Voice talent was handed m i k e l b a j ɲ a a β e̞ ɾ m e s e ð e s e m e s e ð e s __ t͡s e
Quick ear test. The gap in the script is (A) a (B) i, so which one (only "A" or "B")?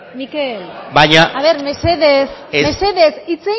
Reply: B